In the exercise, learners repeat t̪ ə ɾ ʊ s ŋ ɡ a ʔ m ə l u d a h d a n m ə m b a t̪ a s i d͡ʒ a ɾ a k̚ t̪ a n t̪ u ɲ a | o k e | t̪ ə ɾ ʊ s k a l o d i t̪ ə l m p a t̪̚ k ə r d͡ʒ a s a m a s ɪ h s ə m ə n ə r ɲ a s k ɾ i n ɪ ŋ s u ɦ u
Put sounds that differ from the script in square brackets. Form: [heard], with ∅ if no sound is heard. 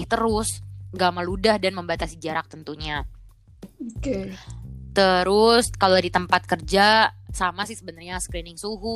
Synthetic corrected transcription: t̪ ə ɾ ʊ s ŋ ɡ a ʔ m ə l u d a h d a n m ə m b a t̪ a s i d͡ʒ a ɾ a k̚ t̪ [ə] n t̪ u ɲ a | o k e | t̪ ə ɾ ʊ s k a l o d i t̪ ə [∅] m p a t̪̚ k ə r d͡ʒ a s a m a s ɪ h s ə [b] ə n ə r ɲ a s k ɾ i n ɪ ŋ s u ɦ u